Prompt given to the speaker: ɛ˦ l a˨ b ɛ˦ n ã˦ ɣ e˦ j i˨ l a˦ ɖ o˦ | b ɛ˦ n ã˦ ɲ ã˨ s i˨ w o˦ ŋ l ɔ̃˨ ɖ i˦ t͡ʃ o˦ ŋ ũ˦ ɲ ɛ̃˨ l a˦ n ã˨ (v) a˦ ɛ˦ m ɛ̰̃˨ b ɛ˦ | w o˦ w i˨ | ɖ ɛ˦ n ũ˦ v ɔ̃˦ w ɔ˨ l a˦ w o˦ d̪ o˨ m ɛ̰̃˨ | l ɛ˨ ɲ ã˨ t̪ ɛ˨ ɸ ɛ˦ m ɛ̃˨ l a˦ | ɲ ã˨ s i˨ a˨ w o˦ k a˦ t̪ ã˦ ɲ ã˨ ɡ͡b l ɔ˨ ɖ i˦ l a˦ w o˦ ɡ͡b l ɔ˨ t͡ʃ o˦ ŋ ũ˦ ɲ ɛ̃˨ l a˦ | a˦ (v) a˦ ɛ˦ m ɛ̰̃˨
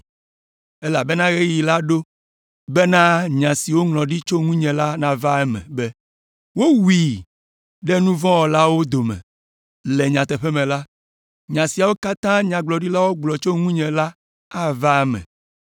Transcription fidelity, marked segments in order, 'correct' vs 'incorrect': correct, correct

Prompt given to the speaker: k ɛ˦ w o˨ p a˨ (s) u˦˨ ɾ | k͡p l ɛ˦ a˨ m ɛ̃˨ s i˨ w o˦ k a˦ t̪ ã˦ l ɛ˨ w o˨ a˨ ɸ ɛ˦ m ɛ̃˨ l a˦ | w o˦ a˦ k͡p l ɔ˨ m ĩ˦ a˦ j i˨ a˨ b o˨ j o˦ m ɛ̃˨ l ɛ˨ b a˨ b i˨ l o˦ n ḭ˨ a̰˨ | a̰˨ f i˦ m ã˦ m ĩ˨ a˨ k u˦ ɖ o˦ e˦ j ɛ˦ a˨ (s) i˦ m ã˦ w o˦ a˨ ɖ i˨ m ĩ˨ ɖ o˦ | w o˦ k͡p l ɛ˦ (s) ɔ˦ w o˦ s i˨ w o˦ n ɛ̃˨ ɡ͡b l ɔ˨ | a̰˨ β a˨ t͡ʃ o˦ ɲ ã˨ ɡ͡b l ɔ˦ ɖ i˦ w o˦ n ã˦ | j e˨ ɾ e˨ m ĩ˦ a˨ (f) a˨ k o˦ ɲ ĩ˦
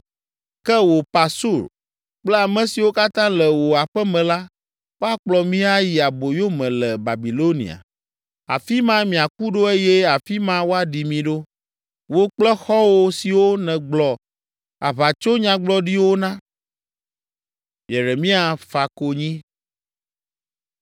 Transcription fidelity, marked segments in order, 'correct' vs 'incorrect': correct, incorrect: f, incorrect: x, correct

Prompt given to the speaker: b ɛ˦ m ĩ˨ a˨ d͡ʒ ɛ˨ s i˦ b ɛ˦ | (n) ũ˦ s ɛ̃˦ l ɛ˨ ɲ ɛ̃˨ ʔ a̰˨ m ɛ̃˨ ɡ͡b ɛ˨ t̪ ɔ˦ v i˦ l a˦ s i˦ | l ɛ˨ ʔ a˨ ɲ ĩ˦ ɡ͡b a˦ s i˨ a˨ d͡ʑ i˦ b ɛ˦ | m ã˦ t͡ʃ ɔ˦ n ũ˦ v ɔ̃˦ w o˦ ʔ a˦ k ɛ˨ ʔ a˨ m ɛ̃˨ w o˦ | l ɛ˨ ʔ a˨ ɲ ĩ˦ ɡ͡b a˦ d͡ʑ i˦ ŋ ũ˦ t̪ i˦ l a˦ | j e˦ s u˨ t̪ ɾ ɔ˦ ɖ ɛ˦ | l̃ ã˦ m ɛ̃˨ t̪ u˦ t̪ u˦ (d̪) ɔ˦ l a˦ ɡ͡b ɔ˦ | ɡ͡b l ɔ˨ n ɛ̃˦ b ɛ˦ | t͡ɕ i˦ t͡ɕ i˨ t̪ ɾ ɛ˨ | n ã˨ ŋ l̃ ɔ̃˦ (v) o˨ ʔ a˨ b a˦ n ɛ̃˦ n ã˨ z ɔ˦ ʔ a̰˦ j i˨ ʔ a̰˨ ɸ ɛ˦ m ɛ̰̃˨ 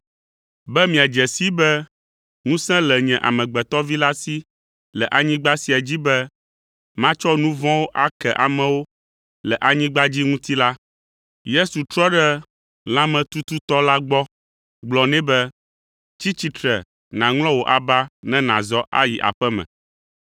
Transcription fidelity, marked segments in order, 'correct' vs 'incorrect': incorrect: ŋ, incorrect: t̪, incorrect: w

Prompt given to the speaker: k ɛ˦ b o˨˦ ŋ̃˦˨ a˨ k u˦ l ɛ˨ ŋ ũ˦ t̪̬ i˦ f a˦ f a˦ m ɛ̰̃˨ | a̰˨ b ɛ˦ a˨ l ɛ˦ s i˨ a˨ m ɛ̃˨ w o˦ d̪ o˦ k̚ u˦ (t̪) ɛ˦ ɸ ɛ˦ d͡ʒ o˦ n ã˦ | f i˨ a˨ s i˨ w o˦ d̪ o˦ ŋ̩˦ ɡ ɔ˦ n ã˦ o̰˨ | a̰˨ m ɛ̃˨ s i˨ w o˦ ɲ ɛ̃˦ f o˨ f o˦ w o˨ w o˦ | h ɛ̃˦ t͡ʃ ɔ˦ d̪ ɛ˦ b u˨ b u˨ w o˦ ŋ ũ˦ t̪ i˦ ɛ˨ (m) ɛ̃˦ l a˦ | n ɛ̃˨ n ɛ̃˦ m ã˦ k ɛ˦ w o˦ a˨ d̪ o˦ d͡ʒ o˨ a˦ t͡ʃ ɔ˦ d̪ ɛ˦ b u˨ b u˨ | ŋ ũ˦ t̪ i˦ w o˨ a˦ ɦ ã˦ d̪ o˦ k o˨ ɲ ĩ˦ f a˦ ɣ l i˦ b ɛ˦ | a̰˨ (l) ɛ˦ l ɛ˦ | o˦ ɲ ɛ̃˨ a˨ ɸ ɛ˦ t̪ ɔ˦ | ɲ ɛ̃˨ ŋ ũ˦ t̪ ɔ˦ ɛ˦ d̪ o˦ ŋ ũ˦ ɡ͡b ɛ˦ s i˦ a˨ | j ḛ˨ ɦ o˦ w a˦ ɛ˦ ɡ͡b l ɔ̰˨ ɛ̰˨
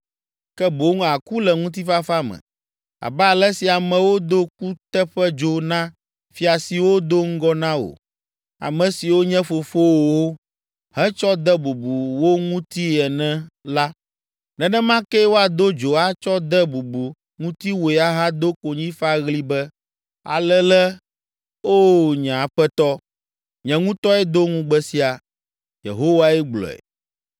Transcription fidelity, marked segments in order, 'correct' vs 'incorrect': correct, incorrect: n, correct

